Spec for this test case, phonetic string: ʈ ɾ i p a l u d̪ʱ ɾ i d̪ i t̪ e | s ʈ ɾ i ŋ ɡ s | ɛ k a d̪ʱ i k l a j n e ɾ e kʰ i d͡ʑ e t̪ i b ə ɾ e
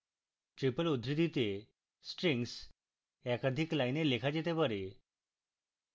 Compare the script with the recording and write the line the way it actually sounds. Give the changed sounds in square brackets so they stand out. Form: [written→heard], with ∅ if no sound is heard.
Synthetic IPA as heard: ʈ ɾ i p [a→ə] l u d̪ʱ ɾ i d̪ i t̪ e | s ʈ ɾ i ŋ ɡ s | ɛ k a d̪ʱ i k l a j n e [ɾ→l] e kʰ [i→a] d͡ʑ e t̪ [i→e] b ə ɾ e